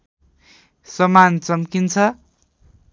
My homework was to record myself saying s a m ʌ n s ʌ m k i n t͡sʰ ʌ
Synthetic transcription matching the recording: s ʌ m a n t͡s ʌ m k i n t͡sʰ ʌ